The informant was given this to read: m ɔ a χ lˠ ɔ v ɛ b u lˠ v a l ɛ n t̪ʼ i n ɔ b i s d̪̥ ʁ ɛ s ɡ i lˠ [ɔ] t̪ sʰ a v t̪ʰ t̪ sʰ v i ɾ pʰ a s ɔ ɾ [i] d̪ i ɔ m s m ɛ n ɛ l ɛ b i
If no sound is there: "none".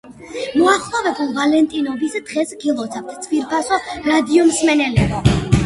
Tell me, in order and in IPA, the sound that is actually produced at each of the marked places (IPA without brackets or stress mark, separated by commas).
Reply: ɔ, a